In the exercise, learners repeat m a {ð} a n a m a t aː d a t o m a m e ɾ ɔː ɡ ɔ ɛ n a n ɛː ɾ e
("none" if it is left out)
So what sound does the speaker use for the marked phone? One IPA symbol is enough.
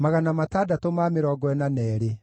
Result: ɣ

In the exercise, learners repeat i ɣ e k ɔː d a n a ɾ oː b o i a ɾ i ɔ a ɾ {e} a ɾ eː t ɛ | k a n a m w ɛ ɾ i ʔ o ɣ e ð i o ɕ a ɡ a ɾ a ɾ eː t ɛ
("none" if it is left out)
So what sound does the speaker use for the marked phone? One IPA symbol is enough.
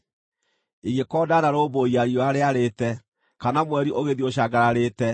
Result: e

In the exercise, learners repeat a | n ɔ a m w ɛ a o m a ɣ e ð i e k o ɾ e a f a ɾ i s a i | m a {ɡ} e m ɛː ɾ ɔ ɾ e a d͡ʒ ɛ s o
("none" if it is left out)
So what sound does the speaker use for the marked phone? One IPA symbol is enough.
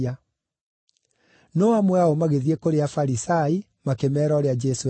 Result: k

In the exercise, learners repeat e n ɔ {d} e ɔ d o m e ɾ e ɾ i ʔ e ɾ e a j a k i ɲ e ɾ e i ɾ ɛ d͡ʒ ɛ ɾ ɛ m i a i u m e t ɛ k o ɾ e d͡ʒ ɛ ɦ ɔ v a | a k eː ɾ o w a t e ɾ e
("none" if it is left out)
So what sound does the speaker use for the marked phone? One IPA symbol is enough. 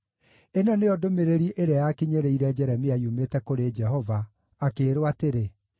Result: n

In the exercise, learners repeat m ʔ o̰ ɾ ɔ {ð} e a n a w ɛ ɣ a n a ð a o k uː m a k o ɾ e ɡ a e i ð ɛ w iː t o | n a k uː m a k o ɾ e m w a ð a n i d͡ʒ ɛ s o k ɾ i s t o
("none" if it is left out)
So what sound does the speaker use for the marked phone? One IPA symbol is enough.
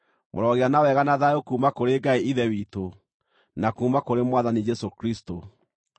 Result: ɣ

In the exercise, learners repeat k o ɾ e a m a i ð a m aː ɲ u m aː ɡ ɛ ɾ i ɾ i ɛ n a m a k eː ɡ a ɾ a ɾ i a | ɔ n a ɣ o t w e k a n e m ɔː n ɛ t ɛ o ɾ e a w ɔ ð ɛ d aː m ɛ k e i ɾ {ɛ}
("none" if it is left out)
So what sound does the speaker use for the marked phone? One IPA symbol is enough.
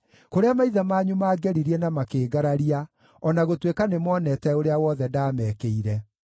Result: ɛ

